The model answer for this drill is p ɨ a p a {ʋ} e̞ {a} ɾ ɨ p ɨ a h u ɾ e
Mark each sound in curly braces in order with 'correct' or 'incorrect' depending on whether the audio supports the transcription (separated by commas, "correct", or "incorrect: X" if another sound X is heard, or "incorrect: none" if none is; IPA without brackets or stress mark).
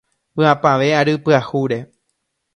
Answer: correct, correct